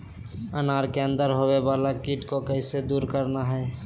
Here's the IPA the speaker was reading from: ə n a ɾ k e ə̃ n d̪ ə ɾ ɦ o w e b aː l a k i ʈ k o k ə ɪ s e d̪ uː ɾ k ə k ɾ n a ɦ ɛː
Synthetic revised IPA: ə n a ɾ k e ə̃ n d̪ ə ɾ ɦ o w e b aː l a k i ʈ k o k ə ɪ s e d̪ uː ɾ k ə ɾ n a ɦ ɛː